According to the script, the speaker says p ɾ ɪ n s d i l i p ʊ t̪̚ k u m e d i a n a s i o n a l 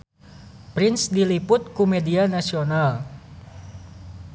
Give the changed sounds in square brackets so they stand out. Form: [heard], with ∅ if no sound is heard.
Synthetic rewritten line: p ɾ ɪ n s d i l i p ʊ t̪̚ k u m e d i a n a s i o n a l